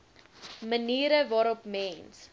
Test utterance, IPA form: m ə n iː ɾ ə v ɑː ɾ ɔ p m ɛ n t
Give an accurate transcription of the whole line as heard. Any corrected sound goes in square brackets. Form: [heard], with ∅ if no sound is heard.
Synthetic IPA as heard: m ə n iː ɾ ə v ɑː ɾ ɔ p m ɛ n [s]